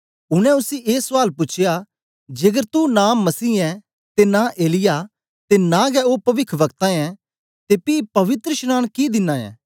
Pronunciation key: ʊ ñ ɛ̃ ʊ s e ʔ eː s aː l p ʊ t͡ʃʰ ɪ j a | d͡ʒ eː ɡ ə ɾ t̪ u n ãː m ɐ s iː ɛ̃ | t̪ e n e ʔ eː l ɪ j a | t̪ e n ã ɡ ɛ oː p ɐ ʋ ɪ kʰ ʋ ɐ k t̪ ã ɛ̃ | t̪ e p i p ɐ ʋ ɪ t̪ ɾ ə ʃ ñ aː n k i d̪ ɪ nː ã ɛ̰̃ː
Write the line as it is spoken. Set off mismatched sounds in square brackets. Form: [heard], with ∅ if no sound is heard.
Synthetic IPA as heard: ʊ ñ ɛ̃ ʊ s [i] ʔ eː s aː l p ʊ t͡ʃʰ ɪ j a | d͡ʒ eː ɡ ə ɾ t̪ u n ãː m ɐ s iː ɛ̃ | t̪ e n [a] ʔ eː l ɪ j a | t̪ e n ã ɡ ɛ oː p ɐ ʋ ɪ kʰ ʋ ɐ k t̪ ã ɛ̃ | t̪ e p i p ɐ ʋ ɪ t̪ ɾ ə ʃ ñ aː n k i d̪ ɪ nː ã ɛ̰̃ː